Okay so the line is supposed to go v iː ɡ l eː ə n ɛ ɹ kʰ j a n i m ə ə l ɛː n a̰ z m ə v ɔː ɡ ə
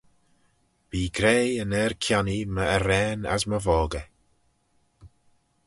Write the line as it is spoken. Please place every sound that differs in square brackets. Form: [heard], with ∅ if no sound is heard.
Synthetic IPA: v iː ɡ [ɾ] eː ə n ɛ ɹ kʰ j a n i m ə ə [ɾ] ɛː n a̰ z m ə v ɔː ɡ ə